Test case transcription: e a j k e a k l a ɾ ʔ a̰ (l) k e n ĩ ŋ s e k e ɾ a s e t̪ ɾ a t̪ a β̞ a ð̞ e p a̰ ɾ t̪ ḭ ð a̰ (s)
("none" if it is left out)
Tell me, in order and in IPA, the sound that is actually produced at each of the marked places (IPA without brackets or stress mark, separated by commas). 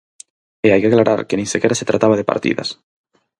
ɾ, s